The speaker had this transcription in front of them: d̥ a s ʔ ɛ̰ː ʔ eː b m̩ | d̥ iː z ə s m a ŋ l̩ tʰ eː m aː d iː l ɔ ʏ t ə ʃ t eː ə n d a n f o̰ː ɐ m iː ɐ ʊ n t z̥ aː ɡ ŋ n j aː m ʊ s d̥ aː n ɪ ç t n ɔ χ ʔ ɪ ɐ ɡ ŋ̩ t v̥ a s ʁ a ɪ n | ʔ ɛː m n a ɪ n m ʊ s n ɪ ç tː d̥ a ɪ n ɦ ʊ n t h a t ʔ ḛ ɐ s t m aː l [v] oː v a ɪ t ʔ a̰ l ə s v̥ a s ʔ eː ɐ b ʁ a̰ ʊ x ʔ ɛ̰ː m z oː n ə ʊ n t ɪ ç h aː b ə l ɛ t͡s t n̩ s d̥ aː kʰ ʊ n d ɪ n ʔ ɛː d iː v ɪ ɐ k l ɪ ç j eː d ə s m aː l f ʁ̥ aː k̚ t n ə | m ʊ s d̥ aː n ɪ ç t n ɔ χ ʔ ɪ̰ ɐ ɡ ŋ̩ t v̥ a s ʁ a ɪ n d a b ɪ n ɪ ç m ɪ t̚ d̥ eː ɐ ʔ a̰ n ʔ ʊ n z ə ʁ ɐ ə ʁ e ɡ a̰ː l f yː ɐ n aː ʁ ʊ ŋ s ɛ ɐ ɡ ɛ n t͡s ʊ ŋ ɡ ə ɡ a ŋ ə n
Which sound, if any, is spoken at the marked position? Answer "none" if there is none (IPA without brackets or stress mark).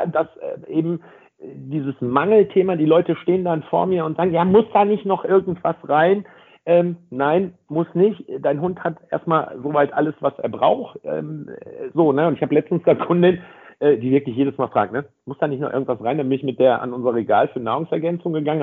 z